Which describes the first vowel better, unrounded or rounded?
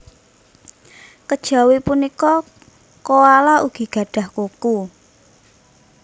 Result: unrounded